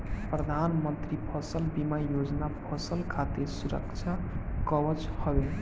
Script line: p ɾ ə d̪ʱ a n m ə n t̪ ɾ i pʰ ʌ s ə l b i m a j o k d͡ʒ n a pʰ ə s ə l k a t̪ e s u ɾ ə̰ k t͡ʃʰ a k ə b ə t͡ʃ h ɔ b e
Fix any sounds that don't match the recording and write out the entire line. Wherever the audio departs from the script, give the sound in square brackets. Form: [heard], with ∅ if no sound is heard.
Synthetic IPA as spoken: p ɾ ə d̪ʱ a n m ə n t̪ ɾ i pʰ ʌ s ə l b i m a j o [∅] d͡ʒ n a pʰ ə s ə l [kʰ] a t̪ e s u ɾ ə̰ k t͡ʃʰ a k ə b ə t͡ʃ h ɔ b e